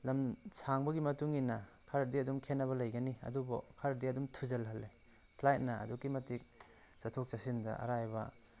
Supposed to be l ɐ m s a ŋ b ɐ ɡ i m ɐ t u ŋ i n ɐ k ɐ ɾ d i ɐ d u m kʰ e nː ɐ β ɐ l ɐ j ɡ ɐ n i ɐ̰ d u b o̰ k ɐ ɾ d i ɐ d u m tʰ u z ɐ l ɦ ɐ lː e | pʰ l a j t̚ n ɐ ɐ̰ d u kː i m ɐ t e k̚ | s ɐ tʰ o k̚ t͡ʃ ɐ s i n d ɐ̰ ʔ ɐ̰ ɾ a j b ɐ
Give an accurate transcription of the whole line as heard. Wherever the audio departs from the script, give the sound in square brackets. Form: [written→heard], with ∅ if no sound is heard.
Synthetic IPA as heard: l ɐ m s a ŋ b ɐ ɡ i m ɐ t u ŋ i n ɐ [k→kʰ] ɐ ɾ d i ɐ d u m kʰ e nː ɐ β ɐ l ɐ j ɡ ɐ n i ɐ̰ d u b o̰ [k→kʰ] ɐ ɾ d i ɐ d u m tʰ u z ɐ l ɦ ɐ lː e | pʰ l a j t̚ n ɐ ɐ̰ d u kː i m ɐ t [e→i] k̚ | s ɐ tʰ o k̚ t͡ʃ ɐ s i n d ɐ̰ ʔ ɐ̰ ɾ a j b ɐ